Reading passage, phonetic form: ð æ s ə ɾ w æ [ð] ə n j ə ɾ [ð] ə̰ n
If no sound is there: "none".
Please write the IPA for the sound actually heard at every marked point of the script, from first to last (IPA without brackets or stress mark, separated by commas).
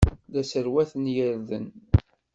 θ, ð